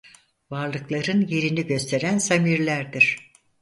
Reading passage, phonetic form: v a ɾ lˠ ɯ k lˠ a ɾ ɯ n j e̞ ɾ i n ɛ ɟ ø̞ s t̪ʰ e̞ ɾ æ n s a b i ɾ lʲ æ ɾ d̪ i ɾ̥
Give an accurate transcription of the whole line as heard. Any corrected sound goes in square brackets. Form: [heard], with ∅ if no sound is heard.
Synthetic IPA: v a ɾ lˠ ɯ k lˠ a ɾ ɯ n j e̞ ɾ i n [i] ɟ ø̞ s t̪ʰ e̞ ɾ æ n s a [m] i ɾ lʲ æ ɾ d̪ i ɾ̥